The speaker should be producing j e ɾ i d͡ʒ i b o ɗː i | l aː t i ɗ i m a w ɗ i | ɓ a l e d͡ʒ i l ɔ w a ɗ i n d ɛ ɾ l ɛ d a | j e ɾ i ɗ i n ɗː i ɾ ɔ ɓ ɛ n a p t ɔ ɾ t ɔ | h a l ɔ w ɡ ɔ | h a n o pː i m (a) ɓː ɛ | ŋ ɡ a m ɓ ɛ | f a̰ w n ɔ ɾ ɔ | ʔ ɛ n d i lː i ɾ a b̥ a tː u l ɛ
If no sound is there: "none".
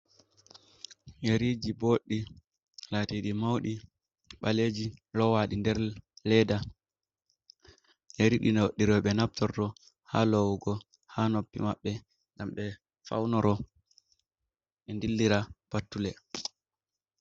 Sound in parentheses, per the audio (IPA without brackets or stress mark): a